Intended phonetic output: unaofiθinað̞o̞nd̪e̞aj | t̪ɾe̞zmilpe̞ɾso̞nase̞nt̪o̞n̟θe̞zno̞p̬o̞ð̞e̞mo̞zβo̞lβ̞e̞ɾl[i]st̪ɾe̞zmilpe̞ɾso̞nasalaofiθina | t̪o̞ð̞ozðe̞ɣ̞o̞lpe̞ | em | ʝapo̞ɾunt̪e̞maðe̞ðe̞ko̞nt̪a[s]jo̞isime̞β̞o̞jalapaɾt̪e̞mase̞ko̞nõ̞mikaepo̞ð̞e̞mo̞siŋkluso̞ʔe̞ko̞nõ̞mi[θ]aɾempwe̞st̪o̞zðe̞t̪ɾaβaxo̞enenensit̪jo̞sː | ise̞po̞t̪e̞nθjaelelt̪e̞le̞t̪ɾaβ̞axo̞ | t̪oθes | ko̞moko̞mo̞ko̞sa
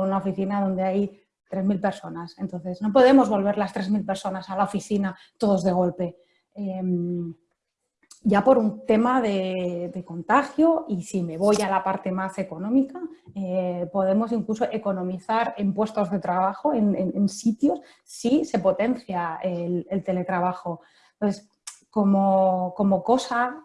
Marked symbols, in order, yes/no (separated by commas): no, no, yes